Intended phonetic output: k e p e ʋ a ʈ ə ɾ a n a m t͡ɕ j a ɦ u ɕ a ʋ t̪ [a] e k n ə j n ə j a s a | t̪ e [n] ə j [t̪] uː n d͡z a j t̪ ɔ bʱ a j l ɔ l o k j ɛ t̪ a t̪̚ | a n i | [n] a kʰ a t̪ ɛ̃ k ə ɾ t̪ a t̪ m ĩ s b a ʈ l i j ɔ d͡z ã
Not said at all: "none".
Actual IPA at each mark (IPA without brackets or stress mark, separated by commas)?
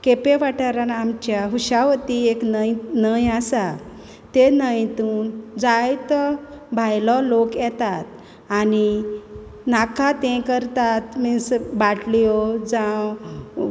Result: i, n, t̪, n